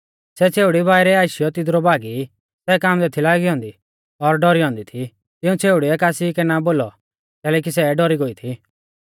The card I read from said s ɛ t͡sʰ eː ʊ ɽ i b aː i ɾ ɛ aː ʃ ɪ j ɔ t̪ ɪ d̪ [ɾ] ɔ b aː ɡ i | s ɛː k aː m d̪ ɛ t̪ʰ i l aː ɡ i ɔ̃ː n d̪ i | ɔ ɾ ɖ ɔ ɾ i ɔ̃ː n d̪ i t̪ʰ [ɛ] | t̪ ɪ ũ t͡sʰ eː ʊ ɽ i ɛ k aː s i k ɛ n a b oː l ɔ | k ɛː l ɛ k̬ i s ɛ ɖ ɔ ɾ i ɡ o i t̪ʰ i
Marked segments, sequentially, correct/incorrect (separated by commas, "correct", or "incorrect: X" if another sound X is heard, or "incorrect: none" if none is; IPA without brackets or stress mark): correct, incorrect: i